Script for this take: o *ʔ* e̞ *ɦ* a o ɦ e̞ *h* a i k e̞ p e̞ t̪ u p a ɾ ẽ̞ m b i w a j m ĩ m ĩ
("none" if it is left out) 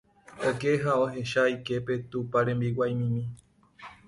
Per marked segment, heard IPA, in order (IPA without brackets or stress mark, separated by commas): k, ɦ, ʃ